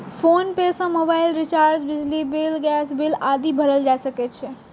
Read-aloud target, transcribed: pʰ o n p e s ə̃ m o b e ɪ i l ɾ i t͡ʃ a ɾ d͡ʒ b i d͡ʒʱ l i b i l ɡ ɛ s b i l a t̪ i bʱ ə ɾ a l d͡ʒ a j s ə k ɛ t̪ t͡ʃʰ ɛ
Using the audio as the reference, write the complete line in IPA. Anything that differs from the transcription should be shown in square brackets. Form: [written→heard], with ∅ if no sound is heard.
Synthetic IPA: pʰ o n p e s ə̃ m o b [e→a] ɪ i l ɾ i t͡ʃ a ɾ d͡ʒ b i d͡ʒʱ l i b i l ɡ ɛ s b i l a [t̪→d̪] i bʱ ə ɾ [a→ə] l d͡ʒ a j s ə k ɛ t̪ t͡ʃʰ ɛ